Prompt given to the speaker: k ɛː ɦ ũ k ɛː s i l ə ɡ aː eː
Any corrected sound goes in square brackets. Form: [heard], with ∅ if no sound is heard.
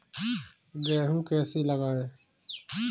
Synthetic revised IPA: [ɡ] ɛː ɦ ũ k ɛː s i l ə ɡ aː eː